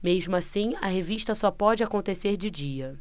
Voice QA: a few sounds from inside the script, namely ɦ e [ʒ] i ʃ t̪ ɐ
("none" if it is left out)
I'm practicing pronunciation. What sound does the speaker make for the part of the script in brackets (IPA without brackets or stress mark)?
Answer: v